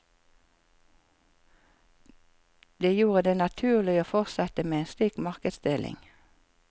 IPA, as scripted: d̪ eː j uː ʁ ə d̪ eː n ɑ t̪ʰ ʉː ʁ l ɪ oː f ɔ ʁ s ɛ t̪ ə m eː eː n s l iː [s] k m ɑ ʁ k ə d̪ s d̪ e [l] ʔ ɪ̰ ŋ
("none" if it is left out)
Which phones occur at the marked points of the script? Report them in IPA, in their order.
none, l

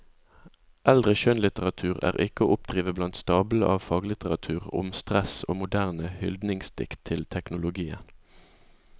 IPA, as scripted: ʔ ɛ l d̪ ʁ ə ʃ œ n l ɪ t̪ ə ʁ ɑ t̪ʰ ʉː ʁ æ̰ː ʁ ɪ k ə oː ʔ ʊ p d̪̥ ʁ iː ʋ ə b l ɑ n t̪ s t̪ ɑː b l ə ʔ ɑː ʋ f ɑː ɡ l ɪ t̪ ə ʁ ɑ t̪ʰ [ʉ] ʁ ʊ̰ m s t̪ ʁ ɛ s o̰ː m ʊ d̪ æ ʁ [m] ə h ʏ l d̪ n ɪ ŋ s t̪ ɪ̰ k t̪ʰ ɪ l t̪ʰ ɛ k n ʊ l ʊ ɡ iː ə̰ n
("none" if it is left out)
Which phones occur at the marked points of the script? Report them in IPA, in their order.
ʉː, n

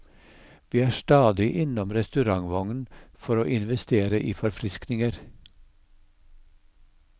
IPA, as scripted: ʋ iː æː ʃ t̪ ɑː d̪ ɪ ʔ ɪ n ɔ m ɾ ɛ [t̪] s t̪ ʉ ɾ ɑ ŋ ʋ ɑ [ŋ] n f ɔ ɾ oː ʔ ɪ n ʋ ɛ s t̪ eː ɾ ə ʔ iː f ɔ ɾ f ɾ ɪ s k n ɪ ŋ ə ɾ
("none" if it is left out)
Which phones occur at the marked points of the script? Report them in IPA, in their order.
none, ŋ

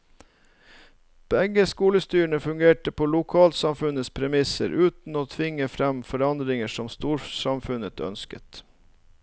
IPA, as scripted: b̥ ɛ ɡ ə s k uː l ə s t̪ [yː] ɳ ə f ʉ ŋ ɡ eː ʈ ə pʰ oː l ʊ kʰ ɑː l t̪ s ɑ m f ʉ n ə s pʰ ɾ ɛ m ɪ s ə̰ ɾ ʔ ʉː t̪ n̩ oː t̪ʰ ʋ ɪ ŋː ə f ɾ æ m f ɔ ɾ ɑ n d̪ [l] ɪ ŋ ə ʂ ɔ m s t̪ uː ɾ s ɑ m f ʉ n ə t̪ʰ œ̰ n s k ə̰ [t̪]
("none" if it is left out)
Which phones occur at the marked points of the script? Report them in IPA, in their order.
yː, ɾ, t̪

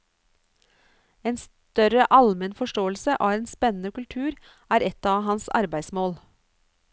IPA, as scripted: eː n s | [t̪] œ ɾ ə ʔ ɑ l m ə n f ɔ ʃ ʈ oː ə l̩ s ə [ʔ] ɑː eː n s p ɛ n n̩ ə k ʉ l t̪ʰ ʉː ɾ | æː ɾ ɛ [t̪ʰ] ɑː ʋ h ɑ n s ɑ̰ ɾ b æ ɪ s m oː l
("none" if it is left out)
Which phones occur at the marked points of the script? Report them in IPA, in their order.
t̪, ʔ, t̪

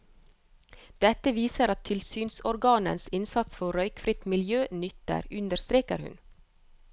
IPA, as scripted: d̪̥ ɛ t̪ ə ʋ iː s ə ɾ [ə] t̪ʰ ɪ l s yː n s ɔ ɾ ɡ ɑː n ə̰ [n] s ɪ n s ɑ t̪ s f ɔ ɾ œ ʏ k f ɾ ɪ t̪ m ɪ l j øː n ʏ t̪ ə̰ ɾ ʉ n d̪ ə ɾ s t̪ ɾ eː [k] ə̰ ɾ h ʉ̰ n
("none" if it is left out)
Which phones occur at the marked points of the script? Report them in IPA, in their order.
ɑ, n, k

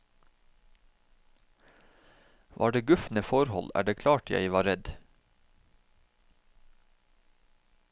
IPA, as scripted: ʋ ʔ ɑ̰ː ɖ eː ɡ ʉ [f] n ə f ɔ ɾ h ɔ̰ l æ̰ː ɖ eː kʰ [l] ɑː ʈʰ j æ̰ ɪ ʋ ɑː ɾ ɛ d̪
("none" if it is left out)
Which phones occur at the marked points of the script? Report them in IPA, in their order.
f, l

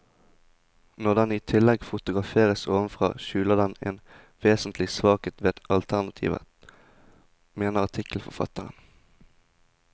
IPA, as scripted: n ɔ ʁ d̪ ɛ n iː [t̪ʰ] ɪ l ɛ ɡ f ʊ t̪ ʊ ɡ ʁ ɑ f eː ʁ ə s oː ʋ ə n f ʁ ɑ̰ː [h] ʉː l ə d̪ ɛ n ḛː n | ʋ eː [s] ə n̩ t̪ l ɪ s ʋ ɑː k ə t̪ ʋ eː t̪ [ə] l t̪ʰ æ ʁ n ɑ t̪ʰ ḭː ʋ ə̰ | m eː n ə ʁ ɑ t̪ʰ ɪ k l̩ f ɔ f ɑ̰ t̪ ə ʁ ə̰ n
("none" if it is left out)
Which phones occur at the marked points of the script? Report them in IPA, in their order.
t̪ʰ, ʃ, s, ɑ

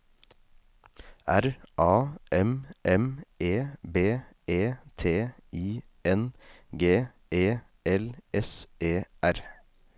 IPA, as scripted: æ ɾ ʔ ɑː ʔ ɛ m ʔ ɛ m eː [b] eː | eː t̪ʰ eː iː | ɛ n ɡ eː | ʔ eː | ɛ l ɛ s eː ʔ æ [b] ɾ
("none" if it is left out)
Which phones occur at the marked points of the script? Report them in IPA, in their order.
b, none

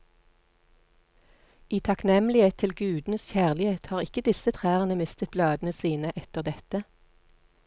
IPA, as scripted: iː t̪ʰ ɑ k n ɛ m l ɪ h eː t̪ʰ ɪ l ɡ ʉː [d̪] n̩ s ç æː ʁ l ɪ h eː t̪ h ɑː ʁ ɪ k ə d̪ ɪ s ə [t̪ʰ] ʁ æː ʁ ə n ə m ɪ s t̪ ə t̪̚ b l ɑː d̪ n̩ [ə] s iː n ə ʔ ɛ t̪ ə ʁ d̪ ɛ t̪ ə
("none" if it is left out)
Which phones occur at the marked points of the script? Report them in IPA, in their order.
d̪, t̪ʰ, ə

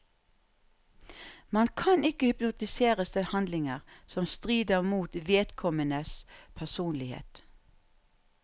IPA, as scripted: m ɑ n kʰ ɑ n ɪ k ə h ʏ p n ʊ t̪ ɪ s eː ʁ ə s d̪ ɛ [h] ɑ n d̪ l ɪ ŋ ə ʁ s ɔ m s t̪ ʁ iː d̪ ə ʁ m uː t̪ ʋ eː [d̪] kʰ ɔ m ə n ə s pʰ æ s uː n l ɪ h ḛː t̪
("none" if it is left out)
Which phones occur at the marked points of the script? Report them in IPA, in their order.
h, t̪

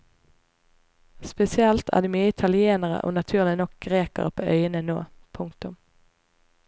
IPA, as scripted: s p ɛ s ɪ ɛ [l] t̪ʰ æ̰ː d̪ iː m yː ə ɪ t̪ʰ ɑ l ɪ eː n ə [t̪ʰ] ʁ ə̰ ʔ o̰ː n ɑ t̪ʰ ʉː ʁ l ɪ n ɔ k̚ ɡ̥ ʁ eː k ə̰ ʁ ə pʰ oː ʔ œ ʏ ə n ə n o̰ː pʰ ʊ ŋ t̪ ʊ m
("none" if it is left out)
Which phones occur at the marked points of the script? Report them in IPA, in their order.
l, none

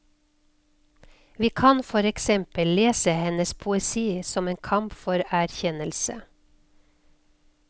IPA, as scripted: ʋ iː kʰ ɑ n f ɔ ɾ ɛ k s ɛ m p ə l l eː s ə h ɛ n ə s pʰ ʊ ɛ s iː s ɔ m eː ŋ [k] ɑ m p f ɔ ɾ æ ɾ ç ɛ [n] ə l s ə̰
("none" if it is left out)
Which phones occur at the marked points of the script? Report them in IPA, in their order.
kʰ, n

